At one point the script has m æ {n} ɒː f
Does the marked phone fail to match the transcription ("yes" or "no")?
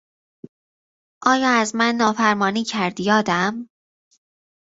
yes